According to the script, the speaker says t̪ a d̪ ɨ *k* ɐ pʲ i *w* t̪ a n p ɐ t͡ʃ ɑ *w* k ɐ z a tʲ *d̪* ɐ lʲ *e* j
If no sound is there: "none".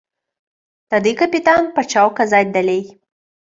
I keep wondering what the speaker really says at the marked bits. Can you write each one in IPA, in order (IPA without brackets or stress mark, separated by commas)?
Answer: k, none, w, d̪, e